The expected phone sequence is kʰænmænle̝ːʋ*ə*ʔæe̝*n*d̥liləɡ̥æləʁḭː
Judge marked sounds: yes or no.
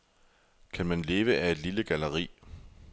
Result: yes, no

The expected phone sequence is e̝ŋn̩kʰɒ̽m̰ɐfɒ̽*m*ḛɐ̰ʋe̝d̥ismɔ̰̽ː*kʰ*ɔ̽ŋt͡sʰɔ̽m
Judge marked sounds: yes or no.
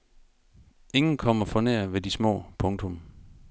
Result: no, no

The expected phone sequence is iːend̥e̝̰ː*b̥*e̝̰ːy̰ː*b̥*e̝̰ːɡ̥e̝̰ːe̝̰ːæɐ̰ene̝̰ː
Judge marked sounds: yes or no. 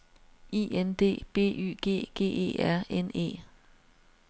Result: yes, no

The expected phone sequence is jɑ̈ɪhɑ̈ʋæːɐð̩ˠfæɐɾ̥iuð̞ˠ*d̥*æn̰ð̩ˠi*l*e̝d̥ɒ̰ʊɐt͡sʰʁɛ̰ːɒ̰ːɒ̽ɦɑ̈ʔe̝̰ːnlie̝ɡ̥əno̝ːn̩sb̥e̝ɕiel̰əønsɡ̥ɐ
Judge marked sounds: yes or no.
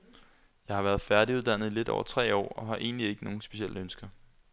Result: yes, yes

